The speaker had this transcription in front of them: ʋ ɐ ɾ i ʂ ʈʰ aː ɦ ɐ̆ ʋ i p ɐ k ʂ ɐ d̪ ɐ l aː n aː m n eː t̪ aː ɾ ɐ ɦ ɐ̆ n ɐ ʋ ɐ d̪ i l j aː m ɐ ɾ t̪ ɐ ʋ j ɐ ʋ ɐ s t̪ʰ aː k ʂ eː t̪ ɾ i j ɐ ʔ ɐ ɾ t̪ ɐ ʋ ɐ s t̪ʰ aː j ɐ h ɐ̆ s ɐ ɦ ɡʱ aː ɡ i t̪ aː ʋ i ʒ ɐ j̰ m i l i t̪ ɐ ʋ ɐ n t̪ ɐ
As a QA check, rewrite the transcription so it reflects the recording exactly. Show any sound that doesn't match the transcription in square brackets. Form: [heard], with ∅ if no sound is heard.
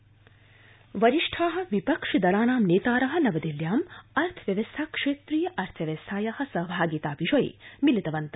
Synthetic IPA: ʋ ɐ ɾ i ʂ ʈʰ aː ɦ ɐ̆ ʋ i p ɐ k ʂ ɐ d̪ ɐ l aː n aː m n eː t̪ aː ɾ ɐ ɦ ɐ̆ n ɐ ʋ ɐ d̪ i l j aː m ɐ ɾ [t̪ʰ] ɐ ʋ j ɐ ʋ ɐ s t̪ʰ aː k ʂ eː t̪ ɾ i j ɐ ʔ ɐ ɾ [t̪ʰ] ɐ ʋ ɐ s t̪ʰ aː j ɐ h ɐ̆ s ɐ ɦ [bʱ] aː ɡ i t̪ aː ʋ i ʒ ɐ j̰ m i l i t̪ ɐ ʋ ɐ n t̪ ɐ